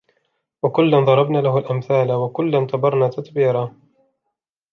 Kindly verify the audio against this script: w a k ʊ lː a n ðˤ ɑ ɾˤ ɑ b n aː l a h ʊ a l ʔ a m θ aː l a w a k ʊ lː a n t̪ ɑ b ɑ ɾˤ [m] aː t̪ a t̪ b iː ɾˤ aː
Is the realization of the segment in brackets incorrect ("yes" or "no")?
yes